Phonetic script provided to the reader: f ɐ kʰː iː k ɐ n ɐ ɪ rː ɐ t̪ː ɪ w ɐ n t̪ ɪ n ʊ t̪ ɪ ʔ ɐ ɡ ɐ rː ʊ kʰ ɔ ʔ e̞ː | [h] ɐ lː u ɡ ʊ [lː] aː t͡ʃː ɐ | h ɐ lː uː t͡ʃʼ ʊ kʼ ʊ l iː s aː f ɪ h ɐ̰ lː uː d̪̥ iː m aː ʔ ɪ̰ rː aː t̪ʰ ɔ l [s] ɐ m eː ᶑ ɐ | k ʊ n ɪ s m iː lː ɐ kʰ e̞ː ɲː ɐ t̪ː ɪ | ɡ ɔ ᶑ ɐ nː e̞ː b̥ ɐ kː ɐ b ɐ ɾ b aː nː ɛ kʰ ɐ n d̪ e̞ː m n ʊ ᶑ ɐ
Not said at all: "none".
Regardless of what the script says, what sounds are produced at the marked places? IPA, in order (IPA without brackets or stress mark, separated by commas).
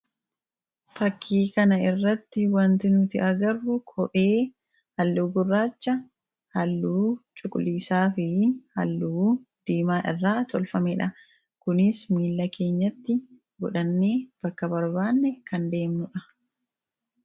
h, rː, f